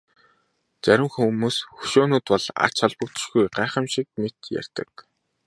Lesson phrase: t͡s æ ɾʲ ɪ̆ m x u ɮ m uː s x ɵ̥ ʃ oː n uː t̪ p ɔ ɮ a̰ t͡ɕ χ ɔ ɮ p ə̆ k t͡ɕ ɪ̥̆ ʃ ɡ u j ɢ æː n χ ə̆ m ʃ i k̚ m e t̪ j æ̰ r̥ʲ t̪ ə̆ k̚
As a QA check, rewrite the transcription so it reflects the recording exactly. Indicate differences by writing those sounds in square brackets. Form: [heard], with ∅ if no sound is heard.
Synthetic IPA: t͡s æ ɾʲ ɪ̆ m x u [∅] m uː s x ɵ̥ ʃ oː n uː t̪ p ɔ ɮ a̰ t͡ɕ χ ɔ ɮ p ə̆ k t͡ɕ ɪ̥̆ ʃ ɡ u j ɢ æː [∅] χ ə̆ m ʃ i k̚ m e t̪ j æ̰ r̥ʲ t̪ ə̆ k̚

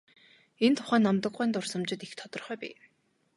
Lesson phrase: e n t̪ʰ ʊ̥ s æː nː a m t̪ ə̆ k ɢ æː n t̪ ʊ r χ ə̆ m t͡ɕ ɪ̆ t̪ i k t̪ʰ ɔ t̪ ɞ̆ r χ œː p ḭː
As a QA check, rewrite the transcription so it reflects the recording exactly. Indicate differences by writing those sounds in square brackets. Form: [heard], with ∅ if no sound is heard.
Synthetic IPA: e n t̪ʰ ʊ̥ [χ] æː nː a m t̪ ə̆ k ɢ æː n t̪ ʊ r [s] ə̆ m t͡ɕ ɪ̆ t̪ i [x] t̪ʰ ɔ t̪ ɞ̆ r χ œː p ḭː

